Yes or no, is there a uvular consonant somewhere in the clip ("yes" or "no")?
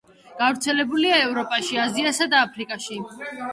no